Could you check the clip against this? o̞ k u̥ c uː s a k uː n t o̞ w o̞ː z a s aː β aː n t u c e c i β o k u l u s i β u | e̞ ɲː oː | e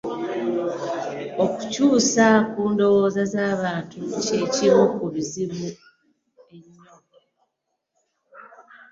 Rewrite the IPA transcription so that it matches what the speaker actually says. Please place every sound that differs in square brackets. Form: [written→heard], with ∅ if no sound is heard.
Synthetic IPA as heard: o̞ k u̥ c uː s a k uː n [t→d] o̞ w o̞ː z a [s→z] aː β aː n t u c e c i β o k u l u [s→z] i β u | e̞ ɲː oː | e